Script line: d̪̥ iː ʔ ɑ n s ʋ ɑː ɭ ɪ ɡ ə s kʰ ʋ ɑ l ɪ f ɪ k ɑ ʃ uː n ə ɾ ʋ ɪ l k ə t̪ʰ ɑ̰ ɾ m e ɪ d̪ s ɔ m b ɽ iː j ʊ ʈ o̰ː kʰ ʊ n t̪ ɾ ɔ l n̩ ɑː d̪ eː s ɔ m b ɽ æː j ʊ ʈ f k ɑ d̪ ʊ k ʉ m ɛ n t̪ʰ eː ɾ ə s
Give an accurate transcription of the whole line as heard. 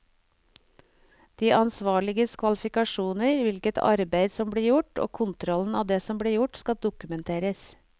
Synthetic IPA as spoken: d̪̥ iː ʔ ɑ n s ʋ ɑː ɭ ɪ ɡ ə s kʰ ʋ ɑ l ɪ f ɪ k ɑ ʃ uː n ə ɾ ʋ ɪ l k ə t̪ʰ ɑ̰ ɾ b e ɪ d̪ s ɔ m b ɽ iː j ʊ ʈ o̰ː kʰ ʊ n t̪ ɾ ɔ l n̩ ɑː d̪ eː s ɔ m b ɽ iː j ʊ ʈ s k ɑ d̪ ʊ k ʉ m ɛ n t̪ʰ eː ɾ ə s